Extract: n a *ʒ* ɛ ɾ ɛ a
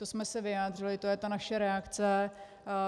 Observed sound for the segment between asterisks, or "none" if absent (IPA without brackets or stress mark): ʃ